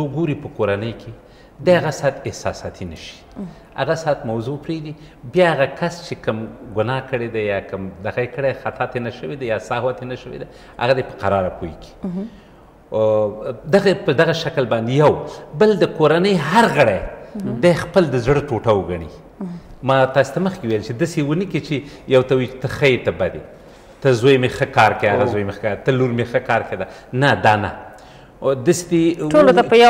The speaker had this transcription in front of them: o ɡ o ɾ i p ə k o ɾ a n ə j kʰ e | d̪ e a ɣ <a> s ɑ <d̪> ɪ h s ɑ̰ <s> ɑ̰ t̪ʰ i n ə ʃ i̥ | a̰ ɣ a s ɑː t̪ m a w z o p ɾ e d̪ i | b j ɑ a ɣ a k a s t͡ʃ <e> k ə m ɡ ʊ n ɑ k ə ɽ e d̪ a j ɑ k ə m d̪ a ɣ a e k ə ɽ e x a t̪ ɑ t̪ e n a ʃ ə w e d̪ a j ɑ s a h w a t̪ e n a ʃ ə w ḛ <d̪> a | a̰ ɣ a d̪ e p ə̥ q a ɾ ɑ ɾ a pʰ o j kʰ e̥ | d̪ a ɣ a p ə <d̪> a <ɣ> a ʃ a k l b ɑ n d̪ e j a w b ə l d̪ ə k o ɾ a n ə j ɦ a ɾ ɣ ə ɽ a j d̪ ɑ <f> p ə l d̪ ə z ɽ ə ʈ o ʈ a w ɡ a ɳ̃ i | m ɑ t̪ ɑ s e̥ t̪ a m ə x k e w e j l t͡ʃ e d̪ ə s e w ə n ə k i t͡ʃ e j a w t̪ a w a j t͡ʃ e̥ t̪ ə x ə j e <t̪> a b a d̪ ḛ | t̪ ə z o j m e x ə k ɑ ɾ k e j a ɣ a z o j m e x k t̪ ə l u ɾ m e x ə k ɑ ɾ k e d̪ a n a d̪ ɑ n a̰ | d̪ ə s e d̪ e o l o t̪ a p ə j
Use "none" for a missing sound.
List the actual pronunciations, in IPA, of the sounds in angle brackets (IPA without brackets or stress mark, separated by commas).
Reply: a, t̪, s, e, d̪, d̪, ɣ, x, t̪